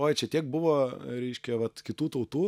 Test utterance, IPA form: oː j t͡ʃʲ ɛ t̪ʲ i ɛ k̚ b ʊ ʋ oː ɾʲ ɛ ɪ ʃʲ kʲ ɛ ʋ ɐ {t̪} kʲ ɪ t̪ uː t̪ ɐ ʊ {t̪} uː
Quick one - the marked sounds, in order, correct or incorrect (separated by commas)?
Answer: correct, correct